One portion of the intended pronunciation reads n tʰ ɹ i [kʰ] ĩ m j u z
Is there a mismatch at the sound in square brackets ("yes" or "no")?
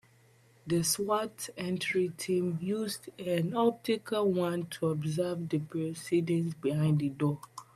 yes